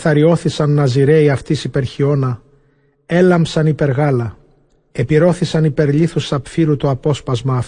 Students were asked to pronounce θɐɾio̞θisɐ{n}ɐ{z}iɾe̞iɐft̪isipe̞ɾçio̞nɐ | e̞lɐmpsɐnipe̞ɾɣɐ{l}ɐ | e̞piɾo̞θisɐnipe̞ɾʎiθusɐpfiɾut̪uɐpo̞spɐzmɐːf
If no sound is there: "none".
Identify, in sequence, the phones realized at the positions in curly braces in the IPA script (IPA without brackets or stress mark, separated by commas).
nː, z, l